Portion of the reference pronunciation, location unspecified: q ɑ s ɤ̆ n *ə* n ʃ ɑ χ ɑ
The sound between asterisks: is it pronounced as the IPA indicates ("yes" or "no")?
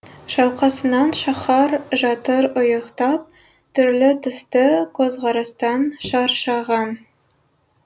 no